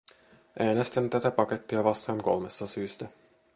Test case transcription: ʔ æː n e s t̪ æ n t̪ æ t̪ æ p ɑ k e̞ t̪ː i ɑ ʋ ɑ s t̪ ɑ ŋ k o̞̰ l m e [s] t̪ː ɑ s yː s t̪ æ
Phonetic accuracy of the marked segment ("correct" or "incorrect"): correct